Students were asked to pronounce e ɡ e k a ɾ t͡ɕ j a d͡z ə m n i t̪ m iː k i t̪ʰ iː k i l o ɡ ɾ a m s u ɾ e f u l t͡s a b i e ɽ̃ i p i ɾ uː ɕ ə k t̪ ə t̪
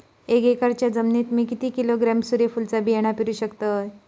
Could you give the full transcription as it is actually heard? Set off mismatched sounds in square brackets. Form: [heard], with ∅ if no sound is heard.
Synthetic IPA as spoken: e ɡ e k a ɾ t͡ɕ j a d͡z ə m n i t̪ m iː k i [t̪] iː k i l o ɡ ɾ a m s u ɾ e f u l t͡s a b i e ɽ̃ [a] p i ɾ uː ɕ ə k t̪ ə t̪